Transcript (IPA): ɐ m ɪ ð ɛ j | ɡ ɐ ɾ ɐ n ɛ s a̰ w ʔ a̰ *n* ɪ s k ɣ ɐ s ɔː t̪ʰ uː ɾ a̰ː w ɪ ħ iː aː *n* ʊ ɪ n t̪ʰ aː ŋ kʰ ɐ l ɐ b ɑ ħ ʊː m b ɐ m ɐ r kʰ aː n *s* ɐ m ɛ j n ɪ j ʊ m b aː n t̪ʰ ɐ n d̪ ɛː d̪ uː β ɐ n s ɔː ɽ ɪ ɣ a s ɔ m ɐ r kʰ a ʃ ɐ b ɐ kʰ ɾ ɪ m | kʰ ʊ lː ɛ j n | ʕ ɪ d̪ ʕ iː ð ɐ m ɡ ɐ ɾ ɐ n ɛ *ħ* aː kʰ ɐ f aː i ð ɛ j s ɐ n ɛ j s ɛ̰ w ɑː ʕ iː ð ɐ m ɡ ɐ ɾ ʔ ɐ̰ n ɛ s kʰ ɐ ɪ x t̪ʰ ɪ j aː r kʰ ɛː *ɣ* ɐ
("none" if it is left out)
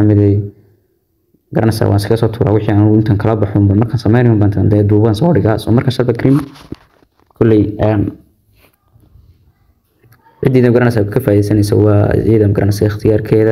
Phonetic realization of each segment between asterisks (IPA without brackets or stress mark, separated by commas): n, n, s, s, ð